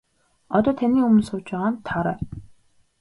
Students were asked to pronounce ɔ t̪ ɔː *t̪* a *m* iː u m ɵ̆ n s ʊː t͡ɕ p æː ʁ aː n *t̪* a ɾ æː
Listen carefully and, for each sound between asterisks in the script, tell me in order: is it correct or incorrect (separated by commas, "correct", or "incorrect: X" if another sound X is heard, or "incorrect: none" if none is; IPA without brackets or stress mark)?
incorrect: t̪ʰ, incorrect: n, incorrect: t̪ʰ